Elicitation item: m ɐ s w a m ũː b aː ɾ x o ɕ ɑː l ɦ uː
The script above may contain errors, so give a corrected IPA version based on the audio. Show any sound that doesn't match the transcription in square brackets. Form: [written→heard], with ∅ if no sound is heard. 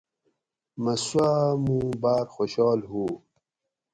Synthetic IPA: m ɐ s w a m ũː b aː ɾ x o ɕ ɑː l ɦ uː